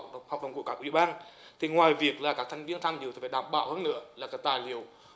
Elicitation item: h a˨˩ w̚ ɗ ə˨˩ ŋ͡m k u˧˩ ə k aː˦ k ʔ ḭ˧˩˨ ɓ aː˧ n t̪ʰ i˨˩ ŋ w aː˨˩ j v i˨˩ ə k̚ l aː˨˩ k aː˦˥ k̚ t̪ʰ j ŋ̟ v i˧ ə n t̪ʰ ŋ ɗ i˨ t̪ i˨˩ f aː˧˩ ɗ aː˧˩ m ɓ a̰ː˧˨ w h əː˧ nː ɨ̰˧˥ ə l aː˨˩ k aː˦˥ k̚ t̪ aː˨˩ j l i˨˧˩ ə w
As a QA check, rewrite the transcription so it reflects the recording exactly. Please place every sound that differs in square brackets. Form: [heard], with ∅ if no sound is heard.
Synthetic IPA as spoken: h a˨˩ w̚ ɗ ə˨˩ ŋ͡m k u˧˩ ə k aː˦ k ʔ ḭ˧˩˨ ɓ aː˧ n t̪ʰ i˨˩ ŋ w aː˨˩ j v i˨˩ ə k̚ l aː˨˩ k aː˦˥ k̚ t̪ʰ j ŋ̟ v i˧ ə n t̪ʰ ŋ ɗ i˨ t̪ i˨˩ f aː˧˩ ɗ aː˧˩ m ɓ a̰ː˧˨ w h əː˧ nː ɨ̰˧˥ ə l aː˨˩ k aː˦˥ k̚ t̪ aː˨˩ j l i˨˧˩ ə w